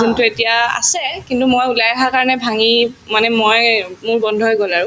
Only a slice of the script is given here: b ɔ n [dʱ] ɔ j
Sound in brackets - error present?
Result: no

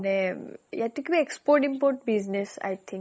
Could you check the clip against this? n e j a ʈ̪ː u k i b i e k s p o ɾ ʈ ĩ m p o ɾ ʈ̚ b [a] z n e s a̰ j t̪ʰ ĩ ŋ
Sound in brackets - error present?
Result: yes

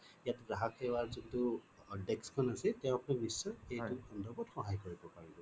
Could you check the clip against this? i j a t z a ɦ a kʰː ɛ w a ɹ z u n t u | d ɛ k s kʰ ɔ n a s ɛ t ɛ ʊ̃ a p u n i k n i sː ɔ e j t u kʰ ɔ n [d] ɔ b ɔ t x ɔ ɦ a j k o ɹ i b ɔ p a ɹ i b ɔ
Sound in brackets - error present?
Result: no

